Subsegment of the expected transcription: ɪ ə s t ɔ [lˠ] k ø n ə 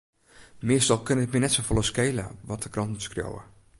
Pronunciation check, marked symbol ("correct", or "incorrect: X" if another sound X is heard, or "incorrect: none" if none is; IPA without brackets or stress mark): correct